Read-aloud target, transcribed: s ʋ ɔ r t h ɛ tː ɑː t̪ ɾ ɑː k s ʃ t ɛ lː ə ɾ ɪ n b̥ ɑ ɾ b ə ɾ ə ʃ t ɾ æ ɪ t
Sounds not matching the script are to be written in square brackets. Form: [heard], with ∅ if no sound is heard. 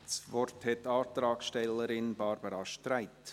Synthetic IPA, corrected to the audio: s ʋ ɔ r t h ɛ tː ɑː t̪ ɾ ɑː k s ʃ t ɛ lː ə ɾ ɪ n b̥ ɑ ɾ b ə ɾ [ɑ] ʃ t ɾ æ ɪ t

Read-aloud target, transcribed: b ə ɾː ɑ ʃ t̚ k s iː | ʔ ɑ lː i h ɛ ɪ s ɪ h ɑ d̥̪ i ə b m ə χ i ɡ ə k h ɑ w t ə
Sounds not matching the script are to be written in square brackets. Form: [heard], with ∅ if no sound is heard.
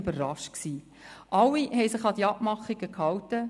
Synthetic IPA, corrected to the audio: b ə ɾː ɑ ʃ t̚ k s iː | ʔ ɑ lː i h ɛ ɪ s ɪ [χ] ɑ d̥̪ i [ɑ] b m [ɑ] χ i ɡ ə k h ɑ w t ə

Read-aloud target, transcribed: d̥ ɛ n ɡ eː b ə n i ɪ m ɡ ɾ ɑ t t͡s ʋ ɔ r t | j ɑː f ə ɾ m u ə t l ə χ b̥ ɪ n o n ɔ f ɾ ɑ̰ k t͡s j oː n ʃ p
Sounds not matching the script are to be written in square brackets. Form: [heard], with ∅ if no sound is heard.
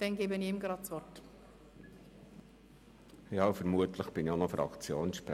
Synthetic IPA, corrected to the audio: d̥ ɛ n ɡ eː b ə n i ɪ m ɡ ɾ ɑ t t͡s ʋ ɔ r t | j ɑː f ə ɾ m u ə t l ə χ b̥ ɪ n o n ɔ f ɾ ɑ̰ k t͡s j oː n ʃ p

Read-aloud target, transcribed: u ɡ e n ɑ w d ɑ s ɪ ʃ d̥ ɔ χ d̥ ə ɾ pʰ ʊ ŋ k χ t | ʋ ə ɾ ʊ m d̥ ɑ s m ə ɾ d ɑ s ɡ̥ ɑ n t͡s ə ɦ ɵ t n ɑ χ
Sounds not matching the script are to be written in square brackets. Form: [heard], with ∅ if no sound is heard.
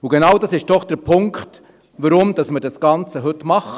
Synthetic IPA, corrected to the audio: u ɡ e n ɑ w d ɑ s ɪ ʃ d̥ ɔ χ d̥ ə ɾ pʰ ʊ ŋ k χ t | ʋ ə ɾ ʊ m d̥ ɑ s m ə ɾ d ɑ s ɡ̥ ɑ n t͡s ə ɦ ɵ t [m] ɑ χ

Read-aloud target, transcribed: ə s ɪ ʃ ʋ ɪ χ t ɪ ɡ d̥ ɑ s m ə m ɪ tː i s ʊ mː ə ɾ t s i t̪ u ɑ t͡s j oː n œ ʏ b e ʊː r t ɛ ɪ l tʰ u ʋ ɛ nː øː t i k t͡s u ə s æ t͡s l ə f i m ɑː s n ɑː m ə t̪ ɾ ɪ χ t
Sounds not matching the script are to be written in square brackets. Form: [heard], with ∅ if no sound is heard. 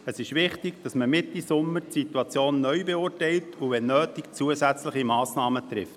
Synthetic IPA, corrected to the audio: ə s ɪ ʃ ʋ ɪ χ t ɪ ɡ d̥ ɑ s m ə m ɪ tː i s ʊ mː ə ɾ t s i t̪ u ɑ t͡s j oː [nː] œ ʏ b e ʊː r t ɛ ɪ l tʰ u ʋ ɛ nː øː t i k t͡s u ə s æ t͡s l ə [χ] i m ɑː s n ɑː m ə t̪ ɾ ɪ [f] t

